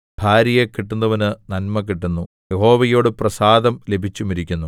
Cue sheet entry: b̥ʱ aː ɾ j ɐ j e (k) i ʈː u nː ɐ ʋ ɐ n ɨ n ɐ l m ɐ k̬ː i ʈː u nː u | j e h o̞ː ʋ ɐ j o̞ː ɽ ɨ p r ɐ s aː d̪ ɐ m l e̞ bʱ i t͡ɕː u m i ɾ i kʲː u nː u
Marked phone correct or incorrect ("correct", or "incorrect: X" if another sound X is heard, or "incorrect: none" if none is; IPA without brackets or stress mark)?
correct